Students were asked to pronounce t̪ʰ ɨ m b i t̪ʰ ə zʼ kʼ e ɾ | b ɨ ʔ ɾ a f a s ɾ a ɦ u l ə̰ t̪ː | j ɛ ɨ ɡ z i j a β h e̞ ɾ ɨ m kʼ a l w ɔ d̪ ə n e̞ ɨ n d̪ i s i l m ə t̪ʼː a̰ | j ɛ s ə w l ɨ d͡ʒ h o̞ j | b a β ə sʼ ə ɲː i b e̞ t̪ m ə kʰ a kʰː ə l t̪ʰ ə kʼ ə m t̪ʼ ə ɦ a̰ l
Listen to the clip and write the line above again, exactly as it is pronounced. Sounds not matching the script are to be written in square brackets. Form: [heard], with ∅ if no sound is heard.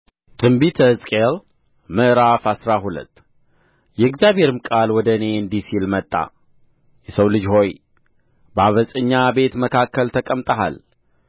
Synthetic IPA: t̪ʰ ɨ m b i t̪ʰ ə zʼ kʼ e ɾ | [m] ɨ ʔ ɾ a f a s ɾ a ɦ u l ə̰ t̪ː | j ɛ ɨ ɡ z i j a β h e̞ ɾ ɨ m kʼ a l w ɔ d̪ ə n e̞ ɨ n d̪ i s i l m ə t̪ʼː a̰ | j ɛ s ə w l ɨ d͡ʒ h o̞ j | b a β ə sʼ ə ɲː [a] b e̞ t̪ m ə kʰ a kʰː ə l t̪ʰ ə kʼ ə m t̪ʼ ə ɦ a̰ l